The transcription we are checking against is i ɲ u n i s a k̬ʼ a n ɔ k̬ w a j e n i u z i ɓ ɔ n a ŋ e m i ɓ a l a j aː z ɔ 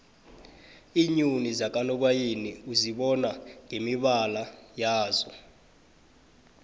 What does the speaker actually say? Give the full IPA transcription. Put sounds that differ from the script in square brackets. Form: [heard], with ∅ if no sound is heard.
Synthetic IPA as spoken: i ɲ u n i [z] a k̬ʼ a n ɔ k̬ w a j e n i u z i ɓ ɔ n a ŋ e m i ɓ a l a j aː z ɔ

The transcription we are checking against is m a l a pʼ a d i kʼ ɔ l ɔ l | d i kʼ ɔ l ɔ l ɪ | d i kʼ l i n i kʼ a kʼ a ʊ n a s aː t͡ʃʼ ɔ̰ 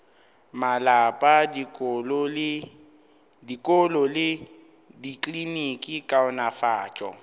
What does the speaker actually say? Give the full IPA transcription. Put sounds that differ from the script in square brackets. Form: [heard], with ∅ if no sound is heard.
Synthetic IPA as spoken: m a l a pʼ a d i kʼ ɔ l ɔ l | d i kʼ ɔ l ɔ l ɪ | d i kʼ l i n i kʼ [i] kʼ a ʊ n a [f] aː t͡ʃʼ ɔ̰

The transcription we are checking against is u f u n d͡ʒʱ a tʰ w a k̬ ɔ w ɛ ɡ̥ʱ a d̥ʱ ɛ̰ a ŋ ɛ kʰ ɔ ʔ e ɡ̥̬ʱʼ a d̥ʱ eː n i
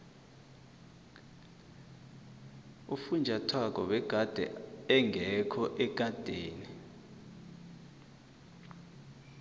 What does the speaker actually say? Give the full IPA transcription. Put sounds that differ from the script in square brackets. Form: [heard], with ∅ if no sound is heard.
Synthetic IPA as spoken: u f u n d͡ʒʱ a tʰ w a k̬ ɔ w ɛ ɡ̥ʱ a d̥ʱ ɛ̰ [ɛ] ŋ ɛ kʰ ɔ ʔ [ɛ] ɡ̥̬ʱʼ a d̥ʱ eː n i

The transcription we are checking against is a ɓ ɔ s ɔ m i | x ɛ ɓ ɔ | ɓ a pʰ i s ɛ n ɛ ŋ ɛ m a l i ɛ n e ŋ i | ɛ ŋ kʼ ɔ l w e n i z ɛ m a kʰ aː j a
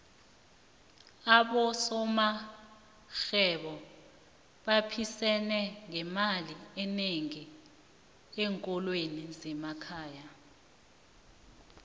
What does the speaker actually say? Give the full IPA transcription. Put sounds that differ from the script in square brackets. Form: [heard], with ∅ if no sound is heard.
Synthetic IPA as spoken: a ɓ ɔ s ɔ m [a] | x ɛ ɓ ɔ | ɓ a pʰ i s ɛ n ɛ ŋ ɛ m a l i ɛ n e ŋ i | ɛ ŋ kʼ ɔ l w e n i z ɛ m a kʰ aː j a

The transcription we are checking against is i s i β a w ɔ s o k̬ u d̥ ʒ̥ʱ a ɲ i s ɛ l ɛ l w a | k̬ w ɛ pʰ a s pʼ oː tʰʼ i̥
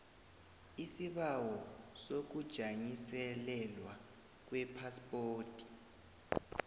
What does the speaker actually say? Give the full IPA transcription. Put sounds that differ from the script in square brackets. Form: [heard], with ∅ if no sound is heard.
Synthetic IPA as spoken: i s i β a w ɔ s o k̬ u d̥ ʒ̥ʱ a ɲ i s ɛ l ɛ l w a | k̬ w ɛ pʰ a s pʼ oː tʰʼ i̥

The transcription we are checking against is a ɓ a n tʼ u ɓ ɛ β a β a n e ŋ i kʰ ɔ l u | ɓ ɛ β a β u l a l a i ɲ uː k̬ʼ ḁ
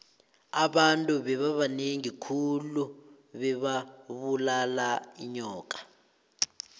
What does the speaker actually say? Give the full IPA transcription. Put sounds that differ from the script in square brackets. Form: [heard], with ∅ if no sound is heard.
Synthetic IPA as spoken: a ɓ a n tʼ u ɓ ɛ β a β a n e ŋ i kʰ [u] l u | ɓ ɛ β a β u l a l a i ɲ [ɔː] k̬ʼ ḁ

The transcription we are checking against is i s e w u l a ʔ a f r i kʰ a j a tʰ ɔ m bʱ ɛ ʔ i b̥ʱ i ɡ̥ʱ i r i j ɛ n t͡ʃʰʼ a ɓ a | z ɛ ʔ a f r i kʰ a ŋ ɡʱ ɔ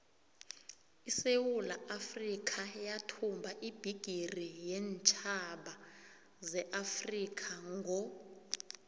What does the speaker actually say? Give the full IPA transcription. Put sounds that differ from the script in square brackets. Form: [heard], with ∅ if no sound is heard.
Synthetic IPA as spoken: i s e w u l a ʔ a f r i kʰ a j a tʰ [u] m bʱ [a] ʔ i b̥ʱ i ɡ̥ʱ i r i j ɛ n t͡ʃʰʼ a ɓ a | z ɛ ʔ a f r i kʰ a ŋ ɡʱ ɔ

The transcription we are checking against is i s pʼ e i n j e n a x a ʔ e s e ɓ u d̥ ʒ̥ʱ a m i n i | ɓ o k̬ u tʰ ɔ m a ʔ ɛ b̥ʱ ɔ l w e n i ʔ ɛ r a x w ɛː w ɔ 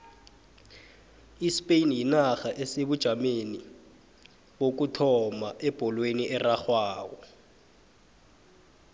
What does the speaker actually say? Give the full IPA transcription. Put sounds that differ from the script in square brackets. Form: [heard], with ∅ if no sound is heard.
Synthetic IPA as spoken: i s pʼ e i n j [i] n a x a ʔ e s e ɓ u d̥ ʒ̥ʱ a m [e] n i | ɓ o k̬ u tʰ ɔ m a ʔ ɛ b̥ʱ ɔ l w e n i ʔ ɛ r a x w [aː] w ɔ

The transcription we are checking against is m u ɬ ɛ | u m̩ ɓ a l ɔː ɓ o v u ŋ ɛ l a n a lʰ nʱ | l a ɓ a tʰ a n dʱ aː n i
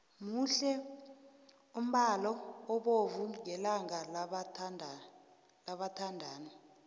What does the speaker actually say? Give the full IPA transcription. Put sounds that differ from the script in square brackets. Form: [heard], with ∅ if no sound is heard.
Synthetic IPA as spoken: m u ɬ ɛ | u m̩ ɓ a l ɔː ɓ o v u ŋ ɛ l a [ŋ] a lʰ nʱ | l a ɓ a tʰ a n dʱ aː n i

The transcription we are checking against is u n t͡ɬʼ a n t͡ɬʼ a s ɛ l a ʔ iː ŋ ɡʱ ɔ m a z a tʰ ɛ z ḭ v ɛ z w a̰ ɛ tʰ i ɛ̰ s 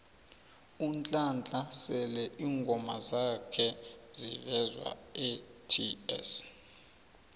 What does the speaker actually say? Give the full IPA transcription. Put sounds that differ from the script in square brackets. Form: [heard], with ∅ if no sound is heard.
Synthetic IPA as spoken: u n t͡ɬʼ a n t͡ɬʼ a s ɛ l [ɛ] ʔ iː ŋ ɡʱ ɔ m a z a [kʰ] ɛ z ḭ v ɛ z w a̰ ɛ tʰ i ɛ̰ s

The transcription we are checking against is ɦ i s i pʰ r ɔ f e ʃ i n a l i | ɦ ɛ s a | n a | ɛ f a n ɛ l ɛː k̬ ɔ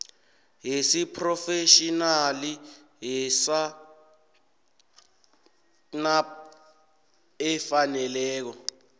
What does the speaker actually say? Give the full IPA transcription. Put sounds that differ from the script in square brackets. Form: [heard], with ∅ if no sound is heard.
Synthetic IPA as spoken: ɦ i s i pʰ r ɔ f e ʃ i n a l i | ɦ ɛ s a | n a | ɛ f a n ɛ l ɛː k̬ ɔ

